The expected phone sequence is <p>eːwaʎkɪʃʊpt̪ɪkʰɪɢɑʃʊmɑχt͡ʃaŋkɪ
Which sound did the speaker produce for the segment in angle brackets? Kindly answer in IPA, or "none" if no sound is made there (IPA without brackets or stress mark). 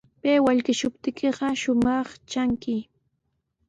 p